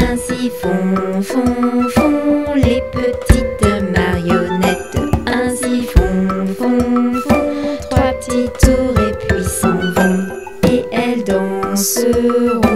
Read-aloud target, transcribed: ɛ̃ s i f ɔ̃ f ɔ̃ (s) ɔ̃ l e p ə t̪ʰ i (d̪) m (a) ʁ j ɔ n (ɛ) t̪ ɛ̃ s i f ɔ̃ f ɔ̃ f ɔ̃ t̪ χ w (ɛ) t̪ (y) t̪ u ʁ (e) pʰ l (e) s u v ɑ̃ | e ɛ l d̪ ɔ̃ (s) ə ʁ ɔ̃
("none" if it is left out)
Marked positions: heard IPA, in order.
f, t̪, a, ɛ, a, i, e, i, s

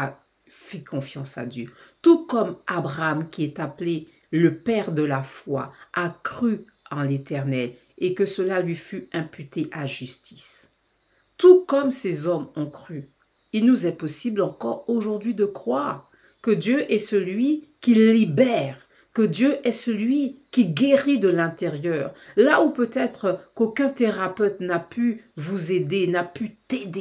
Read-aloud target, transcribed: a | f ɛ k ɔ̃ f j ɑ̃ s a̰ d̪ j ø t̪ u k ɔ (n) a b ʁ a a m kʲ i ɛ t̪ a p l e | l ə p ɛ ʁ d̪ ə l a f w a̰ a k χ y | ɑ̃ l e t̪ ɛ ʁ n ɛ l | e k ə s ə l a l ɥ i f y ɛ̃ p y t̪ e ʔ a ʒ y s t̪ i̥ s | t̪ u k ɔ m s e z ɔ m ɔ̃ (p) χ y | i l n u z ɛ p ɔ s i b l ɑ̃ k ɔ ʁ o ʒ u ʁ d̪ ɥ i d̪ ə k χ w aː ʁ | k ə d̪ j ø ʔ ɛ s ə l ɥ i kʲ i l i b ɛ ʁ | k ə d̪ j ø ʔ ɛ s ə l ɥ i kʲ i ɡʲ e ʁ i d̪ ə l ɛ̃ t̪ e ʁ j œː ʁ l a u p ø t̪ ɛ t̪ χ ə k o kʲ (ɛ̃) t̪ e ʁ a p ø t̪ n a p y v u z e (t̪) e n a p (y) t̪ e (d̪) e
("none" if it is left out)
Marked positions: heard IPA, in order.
m, k, ɛ̃, d̪, y, d̪

